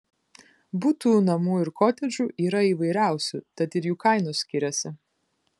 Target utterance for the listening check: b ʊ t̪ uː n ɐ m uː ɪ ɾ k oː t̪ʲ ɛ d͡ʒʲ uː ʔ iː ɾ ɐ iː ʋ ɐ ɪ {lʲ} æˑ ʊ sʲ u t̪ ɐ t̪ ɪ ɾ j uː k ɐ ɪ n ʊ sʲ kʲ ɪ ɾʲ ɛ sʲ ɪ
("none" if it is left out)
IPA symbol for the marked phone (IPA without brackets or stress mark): ɾʲ